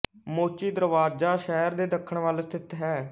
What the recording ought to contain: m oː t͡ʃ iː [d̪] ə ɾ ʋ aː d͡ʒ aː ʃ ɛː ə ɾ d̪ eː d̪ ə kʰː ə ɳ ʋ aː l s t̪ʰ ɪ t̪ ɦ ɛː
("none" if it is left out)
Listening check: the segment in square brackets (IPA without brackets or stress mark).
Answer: d̪